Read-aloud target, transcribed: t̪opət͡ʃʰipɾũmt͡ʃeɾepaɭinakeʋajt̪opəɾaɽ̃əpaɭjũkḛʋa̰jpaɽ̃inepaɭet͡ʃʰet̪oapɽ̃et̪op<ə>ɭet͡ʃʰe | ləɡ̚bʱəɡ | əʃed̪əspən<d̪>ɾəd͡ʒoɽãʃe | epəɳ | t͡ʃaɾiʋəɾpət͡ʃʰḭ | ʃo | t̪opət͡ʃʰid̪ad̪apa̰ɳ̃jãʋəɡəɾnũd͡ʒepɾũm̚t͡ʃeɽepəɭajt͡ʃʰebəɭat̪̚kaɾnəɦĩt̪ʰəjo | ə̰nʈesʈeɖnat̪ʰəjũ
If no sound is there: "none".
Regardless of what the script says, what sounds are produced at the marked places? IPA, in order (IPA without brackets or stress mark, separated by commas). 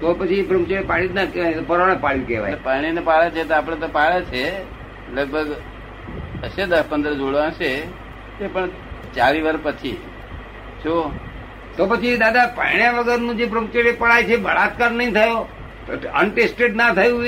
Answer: a, d̪